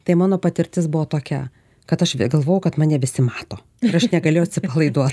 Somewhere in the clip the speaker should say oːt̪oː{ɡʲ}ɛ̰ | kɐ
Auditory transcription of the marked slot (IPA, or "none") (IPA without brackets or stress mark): kʲ